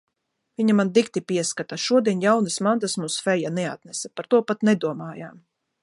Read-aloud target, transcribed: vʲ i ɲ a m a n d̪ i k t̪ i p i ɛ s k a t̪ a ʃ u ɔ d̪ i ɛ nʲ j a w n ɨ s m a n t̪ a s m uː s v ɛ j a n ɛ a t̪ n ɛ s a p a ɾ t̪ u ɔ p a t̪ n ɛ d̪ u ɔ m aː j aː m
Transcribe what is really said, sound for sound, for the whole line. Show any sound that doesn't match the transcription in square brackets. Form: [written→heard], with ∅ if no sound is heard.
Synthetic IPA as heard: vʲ i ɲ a m a n d̪ i k t̪ i p i ɛ s k a t̪ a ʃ u ɔ d̪ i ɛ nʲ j a w n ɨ s m a n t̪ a s m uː s [v→f] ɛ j a n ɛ a t̪ n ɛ s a p a ɾ t̪ u ɔ p a t̪ n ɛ d̪ u ɔ m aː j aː m